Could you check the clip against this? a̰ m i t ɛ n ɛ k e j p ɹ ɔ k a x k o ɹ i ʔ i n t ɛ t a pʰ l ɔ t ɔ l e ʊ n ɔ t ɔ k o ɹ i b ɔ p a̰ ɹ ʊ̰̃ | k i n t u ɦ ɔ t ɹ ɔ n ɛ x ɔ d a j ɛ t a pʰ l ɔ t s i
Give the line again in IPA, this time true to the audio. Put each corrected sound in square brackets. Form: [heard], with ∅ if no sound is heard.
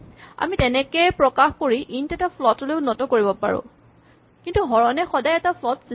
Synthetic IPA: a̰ m i t ɛ n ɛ k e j p ɹ ɔ k a x k o ɹ i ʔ i n t ɛ t a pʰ l ɔ t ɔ l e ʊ n ɔ t ɔ k o ɹ i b ɔ p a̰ ɹ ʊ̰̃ | k i n t u ɦ ɔ [∅] ɹ ɔ n ɛ x ɔ d a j ɛ t a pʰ l ɔ t s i